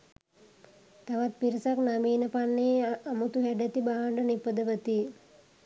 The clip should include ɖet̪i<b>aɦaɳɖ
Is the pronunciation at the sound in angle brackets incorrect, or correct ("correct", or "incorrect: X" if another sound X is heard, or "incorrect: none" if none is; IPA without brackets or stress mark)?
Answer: correct